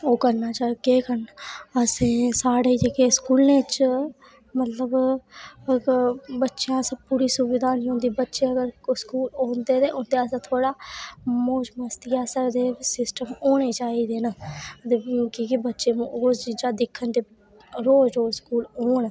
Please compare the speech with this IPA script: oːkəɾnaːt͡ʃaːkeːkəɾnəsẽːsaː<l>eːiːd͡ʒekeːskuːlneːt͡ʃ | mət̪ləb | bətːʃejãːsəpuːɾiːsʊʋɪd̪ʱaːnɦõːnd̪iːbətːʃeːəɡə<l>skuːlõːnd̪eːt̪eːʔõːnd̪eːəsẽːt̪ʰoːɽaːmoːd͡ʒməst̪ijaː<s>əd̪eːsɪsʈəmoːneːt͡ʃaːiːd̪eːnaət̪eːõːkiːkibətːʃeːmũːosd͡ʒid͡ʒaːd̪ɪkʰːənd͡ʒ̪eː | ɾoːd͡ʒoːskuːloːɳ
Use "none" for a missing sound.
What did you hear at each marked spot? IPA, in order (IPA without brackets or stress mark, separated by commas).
ɽ, ɾ, s